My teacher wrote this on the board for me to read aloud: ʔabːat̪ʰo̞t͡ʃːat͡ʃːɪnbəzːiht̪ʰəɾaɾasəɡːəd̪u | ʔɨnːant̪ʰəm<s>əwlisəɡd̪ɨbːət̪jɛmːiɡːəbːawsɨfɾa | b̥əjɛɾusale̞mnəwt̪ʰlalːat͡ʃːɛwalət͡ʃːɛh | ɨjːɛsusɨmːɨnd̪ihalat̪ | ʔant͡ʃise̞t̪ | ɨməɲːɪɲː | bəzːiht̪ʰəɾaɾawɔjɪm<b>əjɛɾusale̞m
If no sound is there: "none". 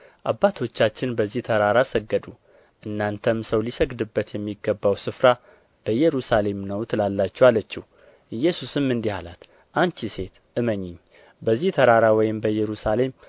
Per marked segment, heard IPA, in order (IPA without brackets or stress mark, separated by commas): s, b